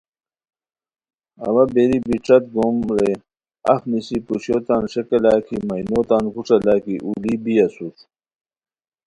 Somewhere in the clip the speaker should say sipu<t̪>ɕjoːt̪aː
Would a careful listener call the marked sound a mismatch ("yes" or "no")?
yes